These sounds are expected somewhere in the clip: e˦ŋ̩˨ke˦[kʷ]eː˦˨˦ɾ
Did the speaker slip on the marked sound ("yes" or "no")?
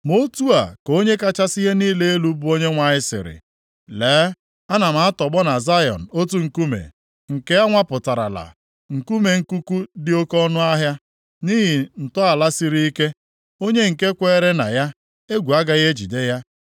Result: no